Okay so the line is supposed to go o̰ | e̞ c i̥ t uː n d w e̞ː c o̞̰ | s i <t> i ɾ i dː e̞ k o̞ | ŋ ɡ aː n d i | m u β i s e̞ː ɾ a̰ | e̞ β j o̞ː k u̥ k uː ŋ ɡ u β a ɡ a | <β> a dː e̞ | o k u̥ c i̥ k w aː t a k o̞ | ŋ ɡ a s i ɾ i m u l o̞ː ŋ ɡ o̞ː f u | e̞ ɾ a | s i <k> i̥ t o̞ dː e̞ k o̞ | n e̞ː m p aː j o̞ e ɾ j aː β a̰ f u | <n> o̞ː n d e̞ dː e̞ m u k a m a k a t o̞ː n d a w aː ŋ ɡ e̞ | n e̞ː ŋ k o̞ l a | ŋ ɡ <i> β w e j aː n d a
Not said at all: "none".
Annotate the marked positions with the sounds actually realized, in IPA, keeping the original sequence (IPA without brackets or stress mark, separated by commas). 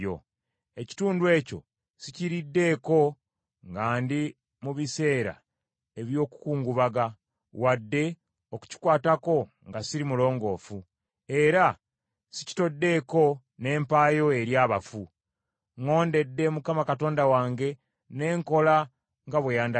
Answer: c, w, c, ŋ, a